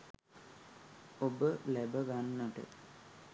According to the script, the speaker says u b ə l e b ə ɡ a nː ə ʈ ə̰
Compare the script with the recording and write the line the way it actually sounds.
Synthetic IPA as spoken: o b ə l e b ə ɡ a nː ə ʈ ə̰